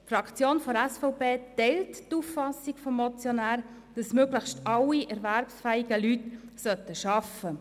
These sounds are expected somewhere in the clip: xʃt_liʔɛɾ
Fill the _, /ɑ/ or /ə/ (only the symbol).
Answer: ɑ